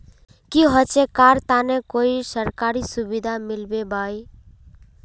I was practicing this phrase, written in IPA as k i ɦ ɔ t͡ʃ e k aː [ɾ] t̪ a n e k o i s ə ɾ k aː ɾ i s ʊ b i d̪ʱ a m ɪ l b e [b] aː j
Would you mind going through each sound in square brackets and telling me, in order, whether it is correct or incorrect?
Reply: correct, correct

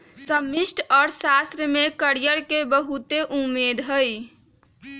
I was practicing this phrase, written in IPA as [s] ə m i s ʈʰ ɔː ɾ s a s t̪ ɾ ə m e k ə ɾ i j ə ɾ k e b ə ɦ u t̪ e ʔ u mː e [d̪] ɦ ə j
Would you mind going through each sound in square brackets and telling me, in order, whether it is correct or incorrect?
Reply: correct, correct

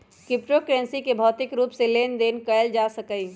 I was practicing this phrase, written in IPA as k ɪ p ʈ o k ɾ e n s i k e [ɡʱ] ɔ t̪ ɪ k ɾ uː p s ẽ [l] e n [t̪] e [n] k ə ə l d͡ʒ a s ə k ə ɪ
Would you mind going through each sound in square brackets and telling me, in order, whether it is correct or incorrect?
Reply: incorrect: bʱ, correct, incorrect: d̪, correct

